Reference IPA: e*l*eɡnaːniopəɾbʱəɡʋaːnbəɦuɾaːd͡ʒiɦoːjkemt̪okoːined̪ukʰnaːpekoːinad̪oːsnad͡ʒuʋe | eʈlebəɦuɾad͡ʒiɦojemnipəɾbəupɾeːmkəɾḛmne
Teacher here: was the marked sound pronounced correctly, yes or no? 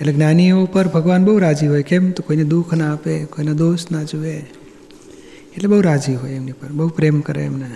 yes